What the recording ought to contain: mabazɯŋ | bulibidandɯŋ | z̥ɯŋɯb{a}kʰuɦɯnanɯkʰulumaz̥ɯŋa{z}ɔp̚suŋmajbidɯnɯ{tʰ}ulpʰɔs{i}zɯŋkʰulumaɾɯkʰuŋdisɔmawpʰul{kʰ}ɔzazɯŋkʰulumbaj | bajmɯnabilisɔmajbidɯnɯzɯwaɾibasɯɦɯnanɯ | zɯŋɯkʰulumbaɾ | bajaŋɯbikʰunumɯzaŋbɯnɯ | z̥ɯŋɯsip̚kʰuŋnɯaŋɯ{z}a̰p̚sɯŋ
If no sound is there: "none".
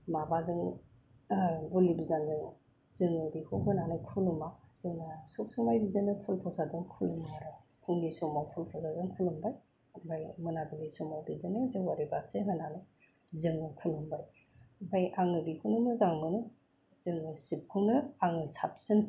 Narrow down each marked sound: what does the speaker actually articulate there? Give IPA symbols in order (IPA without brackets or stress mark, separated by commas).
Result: i, s, pʰ, a, pʰ, s